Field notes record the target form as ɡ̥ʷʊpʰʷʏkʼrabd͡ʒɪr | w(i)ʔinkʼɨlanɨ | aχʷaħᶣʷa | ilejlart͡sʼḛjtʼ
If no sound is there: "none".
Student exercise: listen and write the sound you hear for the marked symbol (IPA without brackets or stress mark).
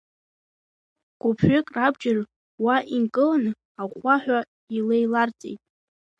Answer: a